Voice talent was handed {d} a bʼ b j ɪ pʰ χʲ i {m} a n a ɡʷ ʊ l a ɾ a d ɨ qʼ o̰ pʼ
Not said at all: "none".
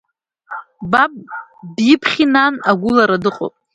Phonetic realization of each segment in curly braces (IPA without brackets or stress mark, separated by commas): b, n